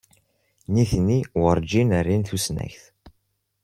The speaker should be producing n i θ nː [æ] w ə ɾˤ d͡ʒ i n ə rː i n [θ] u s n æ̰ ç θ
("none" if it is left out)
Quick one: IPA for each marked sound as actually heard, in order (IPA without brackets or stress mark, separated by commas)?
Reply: i, θ